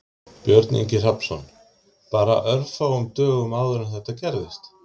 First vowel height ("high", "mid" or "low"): mid